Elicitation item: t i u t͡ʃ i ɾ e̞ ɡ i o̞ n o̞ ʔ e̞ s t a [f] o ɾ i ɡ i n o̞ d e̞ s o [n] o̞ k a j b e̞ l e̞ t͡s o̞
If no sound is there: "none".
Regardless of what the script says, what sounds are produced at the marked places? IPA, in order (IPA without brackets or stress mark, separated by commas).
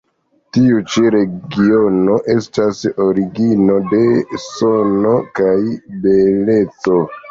s, n